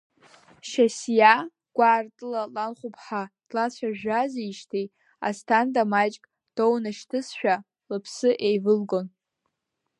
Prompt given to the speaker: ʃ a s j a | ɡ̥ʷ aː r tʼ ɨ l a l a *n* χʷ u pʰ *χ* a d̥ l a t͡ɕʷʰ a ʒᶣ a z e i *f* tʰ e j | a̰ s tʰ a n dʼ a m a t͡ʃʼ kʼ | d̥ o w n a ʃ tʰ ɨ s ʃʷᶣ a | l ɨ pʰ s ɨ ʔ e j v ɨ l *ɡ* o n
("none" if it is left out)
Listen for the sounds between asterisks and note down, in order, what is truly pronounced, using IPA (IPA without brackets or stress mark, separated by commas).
n, ħ, ʃ, ɡ